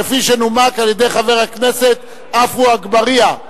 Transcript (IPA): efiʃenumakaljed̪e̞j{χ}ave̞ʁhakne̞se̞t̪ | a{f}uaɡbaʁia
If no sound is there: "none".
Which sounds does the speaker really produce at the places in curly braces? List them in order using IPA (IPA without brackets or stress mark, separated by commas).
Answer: χ, f